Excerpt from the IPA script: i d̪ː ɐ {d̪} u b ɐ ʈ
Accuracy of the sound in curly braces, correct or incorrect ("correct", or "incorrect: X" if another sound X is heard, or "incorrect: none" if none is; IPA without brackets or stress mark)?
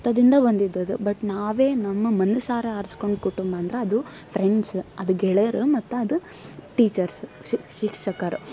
correct